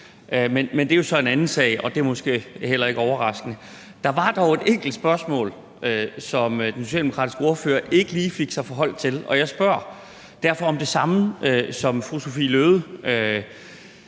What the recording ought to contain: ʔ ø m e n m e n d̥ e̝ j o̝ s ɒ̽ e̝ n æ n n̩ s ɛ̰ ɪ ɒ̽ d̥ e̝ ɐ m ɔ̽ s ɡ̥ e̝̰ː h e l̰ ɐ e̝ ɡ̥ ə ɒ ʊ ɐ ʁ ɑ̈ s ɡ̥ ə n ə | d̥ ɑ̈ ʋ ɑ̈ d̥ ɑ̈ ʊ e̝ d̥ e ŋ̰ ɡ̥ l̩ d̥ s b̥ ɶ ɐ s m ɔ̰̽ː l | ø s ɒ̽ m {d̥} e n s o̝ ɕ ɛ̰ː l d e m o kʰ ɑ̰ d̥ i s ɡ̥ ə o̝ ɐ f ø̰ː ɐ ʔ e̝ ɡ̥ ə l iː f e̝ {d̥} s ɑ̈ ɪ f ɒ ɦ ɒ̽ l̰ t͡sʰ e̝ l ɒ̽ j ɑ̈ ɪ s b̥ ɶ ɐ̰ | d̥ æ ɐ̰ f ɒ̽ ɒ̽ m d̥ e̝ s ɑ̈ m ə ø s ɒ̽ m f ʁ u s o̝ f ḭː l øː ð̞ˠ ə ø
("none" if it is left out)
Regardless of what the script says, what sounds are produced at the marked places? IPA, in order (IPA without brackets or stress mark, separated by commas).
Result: d̥, ɡ̥